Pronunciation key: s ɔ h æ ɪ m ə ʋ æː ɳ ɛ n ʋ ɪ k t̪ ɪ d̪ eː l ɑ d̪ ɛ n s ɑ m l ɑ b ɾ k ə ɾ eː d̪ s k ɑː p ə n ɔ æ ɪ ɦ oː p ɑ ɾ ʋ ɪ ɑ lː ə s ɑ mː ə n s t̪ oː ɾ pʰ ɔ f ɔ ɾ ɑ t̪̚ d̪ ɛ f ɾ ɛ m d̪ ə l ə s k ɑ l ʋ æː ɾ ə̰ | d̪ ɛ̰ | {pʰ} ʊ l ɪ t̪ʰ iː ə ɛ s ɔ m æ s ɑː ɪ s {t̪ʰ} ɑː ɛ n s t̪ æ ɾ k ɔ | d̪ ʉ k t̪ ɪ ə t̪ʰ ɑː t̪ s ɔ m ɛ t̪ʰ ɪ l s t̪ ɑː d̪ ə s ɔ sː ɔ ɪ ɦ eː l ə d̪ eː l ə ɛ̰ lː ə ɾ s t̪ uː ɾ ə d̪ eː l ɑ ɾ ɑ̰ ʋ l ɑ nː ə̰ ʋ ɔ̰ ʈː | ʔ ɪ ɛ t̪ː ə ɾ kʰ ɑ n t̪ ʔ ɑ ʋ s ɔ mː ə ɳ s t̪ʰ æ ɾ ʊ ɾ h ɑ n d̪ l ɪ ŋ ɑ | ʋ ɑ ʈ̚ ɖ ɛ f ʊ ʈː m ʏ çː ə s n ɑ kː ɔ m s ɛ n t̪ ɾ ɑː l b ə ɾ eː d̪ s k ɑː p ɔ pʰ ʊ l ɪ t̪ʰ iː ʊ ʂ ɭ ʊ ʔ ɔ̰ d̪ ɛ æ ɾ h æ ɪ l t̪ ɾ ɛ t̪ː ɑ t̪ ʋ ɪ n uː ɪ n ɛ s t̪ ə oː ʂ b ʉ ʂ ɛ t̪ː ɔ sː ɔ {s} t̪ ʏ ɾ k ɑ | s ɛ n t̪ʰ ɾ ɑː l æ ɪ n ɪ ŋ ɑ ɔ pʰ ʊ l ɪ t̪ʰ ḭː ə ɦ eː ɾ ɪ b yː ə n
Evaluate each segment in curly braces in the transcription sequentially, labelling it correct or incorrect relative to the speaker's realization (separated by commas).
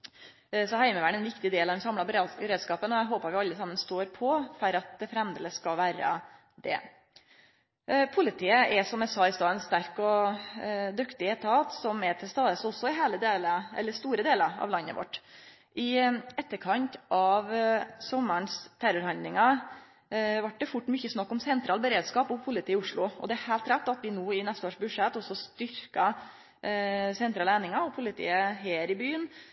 correct, incorrect, correct